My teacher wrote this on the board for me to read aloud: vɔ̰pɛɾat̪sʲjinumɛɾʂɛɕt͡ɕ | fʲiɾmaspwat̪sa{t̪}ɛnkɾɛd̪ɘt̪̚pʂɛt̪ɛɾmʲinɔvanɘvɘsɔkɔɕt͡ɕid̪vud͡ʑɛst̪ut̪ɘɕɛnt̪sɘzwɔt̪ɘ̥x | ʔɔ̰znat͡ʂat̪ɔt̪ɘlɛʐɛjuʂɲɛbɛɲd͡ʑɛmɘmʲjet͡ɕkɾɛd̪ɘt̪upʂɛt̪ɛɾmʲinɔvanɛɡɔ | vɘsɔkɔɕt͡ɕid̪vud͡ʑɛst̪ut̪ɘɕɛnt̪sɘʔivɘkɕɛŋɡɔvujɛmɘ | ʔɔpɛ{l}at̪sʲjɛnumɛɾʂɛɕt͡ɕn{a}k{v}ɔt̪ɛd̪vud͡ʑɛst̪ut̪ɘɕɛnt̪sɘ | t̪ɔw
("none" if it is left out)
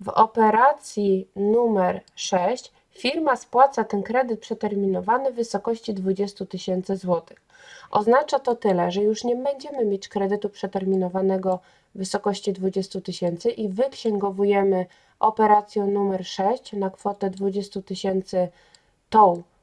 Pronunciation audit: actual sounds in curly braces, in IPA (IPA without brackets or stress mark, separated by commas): t̪, ɾ, a, f